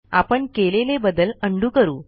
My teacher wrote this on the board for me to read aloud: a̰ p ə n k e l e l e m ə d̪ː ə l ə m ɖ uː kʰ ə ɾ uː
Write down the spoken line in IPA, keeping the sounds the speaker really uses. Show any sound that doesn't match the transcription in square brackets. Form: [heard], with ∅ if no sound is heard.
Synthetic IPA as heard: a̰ p ə [ɳ] k e l e l e [b] ə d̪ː ə l ə [ɳ] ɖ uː [k] ə ɾ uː